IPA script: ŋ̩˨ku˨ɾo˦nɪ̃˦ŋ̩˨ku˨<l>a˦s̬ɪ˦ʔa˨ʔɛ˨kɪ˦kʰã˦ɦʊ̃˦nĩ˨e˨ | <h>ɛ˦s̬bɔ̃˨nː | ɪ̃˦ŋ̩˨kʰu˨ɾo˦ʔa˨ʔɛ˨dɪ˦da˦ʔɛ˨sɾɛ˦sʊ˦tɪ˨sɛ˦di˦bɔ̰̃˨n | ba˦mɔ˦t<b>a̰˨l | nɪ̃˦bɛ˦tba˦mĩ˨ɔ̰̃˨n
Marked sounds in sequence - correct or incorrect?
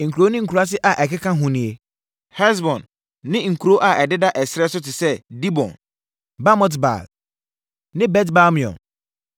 incorrect, correct, correct

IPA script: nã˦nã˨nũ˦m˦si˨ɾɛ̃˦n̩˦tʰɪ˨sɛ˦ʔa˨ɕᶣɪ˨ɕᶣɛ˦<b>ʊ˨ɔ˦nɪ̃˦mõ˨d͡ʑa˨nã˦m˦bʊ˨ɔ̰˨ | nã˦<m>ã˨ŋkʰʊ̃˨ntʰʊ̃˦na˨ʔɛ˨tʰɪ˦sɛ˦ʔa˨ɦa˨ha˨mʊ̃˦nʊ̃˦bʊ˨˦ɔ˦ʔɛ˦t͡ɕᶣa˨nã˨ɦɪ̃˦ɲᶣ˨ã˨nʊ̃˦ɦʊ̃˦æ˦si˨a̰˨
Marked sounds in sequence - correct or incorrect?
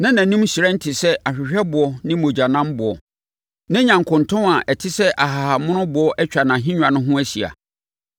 correct, incorrect

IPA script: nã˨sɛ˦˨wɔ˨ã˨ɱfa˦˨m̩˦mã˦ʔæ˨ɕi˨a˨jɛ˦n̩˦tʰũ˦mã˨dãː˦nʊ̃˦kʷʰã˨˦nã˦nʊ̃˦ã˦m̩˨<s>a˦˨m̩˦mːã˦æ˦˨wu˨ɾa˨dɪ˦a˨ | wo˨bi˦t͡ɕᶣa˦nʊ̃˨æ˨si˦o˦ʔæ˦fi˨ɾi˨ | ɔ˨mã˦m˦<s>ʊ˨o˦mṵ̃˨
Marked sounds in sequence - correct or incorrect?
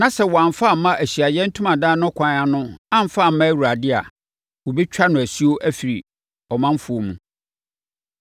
incorrect, incorrect

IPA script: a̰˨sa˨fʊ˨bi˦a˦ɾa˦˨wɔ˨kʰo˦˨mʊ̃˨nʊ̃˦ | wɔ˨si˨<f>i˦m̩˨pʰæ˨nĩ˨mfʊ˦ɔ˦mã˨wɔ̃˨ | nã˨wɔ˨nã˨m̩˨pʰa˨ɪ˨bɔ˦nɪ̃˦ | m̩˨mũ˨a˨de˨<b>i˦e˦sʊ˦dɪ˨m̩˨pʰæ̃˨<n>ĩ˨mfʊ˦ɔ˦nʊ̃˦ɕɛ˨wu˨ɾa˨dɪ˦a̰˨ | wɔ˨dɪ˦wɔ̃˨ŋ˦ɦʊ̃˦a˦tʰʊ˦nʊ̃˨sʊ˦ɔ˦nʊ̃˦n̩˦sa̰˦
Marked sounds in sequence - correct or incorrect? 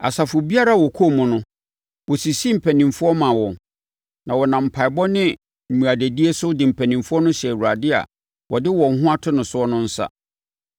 incorrect, incorrect, correct

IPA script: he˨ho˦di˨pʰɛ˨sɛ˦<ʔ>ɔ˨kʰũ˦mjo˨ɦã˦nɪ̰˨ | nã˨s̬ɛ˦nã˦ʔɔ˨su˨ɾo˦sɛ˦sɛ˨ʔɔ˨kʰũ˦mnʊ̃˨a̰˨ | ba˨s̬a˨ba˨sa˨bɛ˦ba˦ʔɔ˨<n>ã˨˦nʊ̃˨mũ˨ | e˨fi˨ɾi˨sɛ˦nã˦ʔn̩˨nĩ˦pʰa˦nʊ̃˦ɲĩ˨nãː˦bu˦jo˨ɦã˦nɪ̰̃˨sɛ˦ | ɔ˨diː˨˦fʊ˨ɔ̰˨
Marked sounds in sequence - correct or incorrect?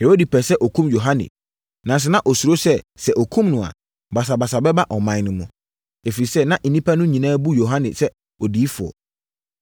correct, incorrect

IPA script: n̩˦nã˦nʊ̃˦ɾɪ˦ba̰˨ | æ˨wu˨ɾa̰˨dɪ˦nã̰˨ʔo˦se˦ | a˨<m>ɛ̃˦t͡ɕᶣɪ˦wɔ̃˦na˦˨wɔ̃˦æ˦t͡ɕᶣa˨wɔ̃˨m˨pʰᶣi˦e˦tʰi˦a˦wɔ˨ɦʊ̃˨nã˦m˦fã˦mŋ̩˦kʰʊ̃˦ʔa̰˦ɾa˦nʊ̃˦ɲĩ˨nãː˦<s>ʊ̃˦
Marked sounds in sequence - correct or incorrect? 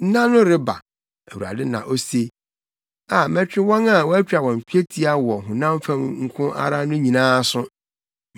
correct, correct

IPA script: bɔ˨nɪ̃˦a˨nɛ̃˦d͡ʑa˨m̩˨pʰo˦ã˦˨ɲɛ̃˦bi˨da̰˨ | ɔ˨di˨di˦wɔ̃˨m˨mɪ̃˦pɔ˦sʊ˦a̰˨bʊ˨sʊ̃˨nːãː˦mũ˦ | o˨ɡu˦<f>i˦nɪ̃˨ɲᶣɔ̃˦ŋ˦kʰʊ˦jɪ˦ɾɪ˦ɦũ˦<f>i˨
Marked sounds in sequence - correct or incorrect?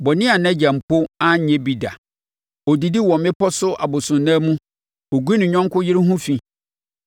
incorrect, correct

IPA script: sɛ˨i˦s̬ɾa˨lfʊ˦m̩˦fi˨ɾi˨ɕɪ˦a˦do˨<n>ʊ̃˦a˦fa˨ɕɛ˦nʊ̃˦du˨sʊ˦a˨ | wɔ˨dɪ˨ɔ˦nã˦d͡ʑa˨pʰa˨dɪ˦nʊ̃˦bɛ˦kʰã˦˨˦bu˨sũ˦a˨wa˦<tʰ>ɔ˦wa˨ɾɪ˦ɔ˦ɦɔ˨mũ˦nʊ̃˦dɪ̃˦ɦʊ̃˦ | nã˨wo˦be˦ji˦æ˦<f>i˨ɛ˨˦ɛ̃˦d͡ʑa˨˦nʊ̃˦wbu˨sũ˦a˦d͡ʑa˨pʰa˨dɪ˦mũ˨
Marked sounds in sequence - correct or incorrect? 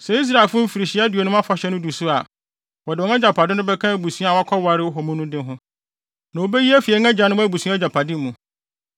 correct, incorrect, correct

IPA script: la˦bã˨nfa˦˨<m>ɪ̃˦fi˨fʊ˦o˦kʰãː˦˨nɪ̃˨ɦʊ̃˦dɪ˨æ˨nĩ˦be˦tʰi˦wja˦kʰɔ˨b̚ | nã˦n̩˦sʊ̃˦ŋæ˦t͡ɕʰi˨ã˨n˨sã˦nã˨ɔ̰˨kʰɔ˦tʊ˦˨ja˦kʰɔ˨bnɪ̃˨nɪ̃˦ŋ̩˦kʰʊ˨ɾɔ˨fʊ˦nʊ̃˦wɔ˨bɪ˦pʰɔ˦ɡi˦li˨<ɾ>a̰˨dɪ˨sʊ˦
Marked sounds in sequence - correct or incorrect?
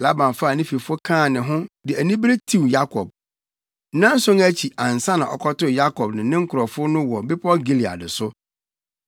incorrect, incorrect

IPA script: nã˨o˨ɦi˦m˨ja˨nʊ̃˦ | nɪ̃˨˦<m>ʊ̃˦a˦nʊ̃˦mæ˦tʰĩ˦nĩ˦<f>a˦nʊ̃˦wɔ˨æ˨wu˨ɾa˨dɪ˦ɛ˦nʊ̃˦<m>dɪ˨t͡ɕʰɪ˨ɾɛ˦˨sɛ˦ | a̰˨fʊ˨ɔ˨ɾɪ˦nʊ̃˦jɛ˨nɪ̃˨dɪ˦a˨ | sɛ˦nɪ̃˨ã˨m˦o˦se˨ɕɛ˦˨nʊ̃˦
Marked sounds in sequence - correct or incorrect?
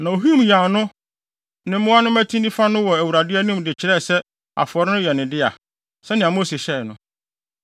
correct, correct, correct

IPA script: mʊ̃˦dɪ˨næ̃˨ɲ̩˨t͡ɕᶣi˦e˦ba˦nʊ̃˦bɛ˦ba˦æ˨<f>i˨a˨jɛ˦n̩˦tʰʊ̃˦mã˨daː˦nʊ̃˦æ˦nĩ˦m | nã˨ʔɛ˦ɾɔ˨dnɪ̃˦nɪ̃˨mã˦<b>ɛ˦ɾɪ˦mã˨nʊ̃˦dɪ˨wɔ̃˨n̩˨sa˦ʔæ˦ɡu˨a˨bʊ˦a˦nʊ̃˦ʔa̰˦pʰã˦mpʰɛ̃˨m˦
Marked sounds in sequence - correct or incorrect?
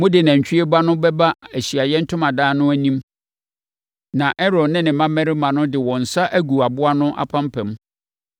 incorrect, incorrect

